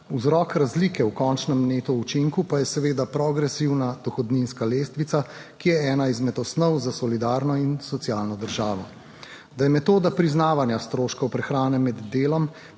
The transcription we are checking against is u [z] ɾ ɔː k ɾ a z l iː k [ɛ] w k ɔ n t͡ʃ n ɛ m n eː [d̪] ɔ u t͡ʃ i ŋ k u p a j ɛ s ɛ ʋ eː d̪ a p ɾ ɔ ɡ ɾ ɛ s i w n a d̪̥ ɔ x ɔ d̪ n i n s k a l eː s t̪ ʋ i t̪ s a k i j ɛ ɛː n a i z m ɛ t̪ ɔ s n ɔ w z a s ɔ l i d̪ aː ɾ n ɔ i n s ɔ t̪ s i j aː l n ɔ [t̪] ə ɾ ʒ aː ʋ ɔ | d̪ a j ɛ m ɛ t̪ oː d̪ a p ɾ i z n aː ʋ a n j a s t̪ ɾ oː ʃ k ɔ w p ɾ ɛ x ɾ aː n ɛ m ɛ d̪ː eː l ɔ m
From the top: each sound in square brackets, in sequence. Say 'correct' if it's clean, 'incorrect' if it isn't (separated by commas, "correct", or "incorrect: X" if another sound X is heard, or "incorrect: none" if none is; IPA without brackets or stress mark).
correct, correct, incorrect: t̪, incorrect: d̪